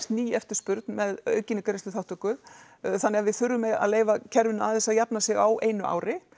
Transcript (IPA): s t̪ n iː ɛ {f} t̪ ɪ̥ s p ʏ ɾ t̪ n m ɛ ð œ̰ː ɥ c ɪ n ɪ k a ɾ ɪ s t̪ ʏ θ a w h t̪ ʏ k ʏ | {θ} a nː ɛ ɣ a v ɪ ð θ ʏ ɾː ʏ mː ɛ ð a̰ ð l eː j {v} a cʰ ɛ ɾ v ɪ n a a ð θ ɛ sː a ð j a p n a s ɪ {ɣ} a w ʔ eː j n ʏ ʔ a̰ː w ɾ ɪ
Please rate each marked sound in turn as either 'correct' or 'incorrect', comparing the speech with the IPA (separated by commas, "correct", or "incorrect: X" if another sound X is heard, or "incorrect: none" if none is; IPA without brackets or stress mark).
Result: correct, correct, correct, correct